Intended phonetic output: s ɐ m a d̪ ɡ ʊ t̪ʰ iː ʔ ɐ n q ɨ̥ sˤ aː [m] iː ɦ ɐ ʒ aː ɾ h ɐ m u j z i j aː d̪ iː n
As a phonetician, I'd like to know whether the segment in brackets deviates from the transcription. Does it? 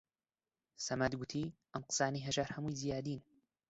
yes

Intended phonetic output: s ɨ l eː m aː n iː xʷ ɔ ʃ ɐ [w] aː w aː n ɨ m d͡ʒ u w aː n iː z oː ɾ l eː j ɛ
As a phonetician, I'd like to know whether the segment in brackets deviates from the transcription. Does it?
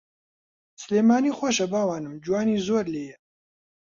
yes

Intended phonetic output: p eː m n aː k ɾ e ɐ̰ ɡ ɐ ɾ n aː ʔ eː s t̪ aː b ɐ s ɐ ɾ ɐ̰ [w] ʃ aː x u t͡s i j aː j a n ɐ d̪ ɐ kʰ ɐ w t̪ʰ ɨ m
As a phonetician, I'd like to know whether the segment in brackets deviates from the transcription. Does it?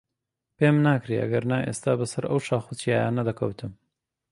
no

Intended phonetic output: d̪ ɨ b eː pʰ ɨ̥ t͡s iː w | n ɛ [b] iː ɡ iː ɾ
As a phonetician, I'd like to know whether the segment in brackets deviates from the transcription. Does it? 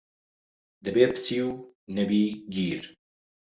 no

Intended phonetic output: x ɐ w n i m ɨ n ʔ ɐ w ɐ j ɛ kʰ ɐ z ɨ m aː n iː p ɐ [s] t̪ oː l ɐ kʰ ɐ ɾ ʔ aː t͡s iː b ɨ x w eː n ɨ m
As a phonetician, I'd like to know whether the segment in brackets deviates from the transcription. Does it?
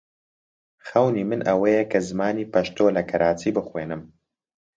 yes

